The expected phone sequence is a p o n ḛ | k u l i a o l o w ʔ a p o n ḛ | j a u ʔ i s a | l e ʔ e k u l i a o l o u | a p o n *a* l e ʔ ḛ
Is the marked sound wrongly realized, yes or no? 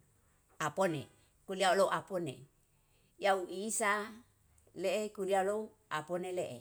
yes